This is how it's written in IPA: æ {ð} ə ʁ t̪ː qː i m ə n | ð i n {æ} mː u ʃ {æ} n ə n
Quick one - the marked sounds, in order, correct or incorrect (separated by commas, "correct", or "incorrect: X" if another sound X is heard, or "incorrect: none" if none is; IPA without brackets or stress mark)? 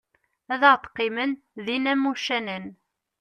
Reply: correct, correct, correct